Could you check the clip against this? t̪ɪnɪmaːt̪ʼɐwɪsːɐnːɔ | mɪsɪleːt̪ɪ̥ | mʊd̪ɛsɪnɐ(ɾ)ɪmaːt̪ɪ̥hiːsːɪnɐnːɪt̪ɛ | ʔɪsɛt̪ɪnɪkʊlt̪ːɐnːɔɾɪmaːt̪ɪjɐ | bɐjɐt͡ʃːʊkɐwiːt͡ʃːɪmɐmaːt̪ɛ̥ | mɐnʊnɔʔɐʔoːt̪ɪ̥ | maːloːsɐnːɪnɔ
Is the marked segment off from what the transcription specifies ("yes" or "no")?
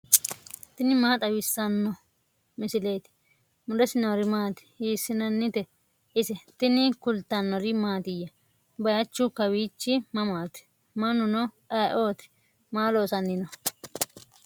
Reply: no